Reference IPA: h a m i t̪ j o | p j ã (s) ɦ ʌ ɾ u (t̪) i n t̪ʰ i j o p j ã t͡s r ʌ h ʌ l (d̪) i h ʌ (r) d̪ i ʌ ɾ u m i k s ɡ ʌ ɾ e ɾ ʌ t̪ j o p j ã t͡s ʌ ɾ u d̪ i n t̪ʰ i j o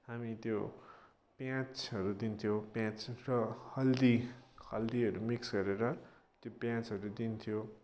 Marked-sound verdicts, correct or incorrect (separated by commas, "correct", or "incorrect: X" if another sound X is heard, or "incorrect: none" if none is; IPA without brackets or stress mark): incorrect: t͡s, incorrect: d̪, correct, incorrect: l